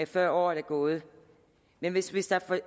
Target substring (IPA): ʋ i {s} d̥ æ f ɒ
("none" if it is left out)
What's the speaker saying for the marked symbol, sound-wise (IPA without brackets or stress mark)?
s